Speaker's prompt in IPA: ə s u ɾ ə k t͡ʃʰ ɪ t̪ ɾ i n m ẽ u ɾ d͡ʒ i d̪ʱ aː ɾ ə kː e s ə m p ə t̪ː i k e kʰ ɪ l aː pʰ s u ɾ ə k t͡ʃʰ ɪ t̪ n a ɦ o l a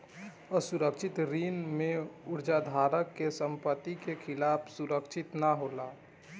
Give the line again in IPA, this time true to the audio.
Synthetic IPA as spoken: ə s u ɾ ə k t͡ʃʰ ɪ t̪ ɾ i n m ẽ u ɾ d͡ʒ a d̪ʱ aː ɾ ə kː e s ə m p ə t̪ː i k e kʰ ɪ l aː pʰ s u ɾ ə k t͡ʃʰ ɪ t̪ n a ɦ o l a